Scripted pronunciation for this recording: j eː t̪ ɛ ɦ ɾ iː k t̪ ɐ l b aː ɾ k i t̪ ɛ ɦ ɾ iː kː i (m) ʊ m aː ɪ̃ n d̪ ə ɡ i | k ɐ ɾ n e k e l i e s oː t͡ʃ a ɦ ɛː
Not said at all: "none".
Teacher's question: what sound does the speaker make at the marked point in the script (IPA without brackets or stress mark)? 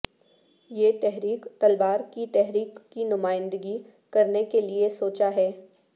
n